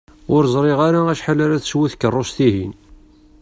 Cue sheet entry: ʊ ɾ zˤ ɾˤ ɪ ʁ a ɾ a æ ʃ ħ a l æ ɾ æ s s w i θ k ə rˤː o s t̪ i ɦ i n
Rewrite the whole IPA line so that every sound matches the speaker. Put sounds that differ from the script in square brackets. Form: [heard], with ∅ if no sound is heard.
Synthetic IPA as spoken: ʊ ɾ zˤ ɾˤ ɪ ʁ a ɾ a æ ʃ ħ a l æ ɾ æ [θ] s w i θ k ə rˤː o s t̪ i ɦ i n